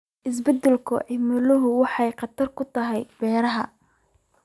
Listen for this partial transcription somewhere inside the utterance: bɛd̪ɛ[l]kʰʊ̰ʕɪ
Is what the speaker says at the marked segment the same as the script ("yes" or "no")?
yes